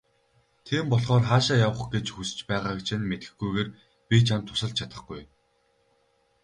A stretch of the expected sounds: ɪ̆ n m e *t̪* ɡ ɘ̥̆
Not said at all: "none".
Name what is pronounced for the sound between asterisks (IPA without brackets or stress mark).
t̪